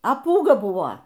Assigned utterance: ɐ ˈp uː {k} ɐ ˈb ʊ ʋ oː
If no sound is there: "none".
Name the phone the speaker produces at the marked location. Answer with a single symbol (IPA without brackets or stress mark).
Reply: ɡ